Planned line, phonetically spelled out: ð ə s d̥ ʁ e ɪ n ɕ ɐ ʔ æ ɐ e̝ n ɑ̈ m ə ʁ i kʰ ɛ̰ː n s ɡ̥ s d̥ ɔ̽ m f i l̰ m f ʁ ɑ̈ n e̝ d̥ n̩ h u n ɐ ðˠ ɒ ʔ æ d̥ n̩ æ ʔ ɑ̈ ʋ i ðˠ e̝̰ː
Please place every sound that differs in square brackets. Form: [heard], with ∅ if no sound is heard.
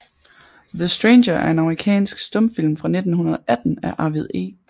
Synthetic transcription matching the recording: ð ə s d̥ ʁ e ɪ n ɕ ɐ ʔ æ ɐ e̝ n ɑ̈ m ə ʁ i kʰ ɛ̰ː n s ɡ̥ s d̥ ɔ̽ m f i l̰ m f ʁ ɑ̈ n e̝ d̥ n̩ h u n ɐ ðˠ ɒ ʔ æ d̥ n̩ æ ʔ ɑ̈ ʋ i ðˠ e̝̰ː

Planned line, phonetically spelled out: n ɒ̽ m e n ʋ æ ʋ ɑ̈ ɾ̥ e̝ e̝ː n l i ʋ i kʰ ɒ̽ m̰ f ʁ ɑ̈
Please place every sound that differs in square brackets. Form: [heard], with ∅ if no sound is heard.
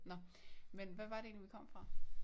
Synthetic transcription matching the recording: n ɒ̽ m e n ʋ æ ʋ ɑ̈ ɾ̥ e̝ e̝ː n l i ʋ i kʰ ɒ̽ m̰ f ʁ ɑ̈

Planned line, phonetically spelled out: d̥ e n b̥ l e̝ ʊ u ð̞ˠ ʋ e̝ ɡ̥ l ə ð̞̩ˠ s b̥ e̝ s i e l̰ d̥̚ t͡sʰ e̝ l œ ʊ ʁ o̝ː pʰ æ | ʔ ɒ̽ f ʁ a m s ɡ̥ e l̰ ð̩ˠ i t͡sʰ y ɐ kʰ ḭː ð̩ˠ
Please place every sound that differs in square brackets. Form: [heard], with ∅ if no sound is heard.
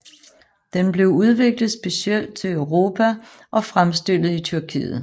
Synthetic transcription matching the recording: d̥ e n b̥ l e̝ ʊ u ð̞ˠ ʋ e̝ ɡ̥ l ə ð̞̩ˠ s b̥ e̝ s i e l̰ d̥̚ t͡sʰ e̝ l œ ʊ ʁ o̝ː pʰ æ | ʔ ɒ̽ f ʁ a m s [d̥] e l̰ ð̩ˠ i t͡sʰ y ɐ kʰ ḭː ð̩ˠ

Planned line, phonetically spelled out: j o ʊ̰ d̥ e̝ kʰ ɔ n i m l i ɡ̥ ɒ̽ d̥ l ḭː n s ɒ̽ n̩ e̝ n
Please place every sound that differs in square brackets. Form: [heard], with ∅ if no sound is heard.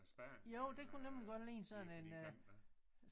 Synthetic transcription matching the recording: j o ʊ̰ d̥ e̝ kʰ [u] n [e] m l i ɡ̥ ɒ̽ d̥ l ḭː n s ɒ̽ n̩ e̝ n

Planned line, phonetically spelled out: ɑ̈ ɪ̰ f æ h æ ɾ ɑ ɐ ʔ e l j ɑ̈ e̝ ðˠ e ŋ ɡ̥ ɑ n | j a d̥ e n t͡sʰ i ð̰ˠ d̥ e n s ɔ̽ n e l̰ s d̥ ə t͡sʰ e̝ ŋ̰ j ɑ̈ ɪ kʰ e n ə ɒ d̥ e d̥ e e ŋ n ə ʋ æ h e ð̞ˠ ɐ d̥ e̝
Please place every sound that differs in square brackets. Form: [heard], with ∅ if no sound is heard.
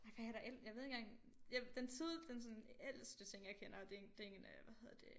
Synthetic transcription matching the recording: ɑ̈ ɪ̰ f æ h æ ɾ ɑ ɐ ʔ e l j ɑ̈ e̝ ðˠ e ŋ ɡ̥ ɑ [ŋ] | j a d̥ e n t͡sʰ i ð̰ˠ d̥ e n s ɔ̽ n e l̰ s d̥ ə t͡sʰ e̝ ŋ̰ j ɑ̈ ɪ kʰ e n [ɐ] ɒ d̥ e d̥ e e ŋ n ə ʋ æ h e ð̞ˠ ɐ d̥ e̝

